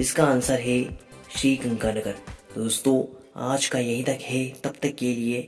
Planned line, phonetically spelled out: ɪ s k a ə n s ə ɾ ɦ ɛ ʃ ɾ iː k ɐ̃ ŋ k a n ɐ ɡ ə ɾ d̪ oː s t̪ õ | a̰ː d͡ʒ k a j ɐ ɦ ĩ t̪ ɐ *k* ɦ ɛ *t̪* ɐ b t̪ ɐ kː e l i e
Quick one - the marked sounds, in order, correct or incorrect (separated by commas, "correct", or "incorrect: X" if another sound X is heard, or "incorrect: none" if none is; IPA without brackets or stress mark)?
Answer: correct, correct